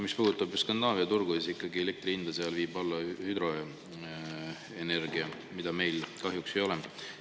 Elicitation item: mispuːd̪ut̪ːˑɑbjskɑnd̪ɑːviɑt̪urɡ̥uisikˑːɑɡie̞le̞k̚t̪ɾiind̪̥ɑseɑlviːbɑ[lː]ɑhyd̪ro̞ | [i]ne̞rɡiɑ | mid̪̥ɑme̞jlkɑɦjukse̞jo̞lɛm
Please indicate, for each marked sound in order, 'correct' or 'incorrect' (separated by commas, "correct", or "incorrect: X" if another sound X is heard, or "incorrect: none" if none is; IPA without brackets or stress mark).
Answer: correct, incorrect: e